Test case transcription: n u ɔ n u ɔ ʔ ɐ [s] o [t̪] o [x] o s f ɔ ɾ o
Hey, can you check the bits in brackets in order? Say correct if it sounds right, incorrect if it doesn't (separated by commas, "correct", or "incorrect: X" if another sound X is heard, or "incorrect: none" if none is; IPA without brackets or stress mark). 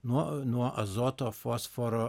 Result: incorrect: z, correct, incorrect: f